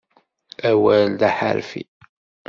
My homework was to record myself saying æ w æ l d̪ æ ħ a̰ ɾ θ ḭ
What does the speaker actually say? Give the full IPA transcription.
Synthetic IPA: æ w æ l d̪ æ ħ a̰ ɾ f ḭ